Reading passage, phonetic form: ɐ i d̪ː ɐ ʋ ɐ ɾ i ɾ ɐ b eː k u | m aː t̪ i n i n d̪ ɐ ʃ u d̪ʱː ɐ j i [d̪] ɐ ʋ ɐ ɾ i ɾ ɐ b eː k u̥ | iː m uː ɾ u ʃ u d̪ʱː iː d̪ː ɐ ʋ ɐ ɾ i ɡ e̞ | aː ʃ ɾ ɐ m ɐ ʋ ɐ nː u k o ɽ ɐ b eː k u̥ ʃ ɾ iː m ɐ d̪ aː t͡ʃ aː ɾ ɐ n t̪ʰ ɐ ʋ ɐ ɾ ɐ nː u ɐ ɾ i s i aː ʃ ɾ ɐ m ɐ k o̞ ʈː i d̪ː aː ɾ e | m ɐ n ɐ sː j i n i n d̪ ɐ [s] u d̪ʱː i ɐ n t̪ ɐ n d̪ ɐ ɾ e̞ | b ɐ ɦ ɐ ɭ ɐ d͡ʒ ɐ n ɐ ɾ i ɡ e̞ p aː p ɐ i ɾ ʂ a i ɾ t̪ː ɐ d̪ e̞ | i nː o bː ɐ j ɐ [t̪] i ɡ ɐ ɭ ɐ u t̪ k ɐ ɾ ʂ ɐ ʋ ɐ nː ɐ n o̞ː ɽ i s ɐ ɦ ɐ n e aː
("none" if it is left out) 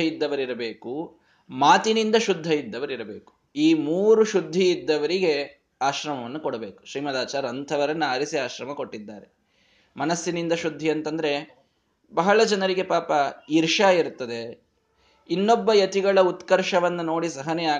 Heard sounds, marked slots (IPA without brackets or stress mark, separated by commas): d̪ː, ʃ, t̪